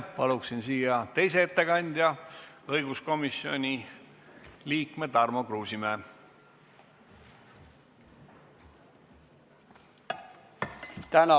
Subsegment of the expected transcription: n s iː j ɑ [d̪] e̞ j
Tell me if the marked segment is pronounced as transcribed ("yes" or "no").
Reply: no